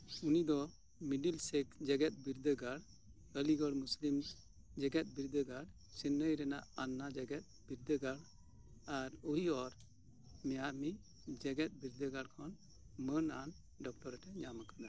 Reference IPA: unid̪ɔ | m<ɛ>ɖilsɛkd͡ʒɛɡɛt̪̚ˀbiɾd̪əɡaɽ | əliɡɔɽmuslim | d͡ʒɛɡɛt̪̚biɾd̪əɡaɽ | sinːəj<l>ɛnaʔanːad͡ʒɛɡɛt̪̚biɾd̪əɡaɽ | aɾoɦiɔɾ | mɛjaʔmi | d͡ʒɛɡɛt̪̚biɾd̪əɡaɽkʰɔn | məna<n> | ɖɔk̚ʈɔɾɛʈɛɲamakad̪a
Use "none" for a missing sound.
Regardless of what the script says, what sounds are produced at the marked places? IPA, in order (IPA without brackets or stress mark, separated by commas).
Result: i, ɾ, n